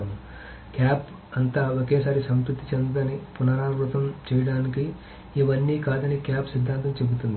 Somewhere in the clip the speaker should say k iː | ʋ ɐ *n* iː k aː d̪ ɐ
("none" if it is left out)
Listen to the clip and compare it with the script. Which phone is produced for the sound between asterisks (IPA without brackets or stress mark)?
nː